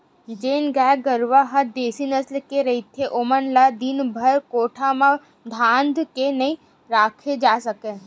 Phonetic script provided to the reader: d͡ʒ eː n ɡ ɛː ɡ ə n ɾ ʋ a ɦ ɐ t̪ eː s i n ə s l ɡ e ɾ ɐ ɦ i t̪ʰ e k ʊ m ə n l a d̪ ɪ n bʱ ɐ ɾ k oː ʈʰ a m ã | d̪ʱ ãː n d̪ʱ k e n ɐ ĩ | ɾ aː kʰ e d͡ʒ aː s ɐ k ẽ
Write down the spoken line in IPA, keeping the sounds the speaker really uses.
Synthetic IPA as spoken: d͡ʒ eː n ɡ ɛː ɡ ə ɾ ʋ a ɦ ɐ d̪ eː s i n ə s l k e ɾ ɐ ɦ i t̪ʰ e ʔ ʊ m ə n l a d̪ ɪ n bʱ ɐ ɾ k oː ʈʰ a m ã | d̪ʱ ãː n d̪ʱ k e n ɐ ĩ | ɾ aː kʰ e d͡ʒ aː s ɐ k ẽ